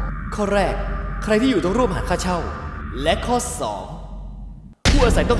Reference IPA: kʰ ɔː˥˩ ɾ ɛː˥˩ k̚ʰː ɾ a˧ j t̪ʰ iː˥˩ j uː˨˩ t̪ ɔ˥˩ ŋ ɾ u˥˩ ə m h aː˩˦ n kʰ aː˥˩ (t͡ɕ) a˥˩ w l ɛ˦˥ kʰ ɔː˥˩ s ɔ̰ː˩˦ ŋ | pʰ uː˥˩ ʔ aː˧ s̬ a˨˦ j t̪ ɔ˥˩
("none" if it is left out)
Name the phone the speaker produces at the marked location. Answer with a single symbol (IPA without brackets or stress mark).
t͡ɕʰ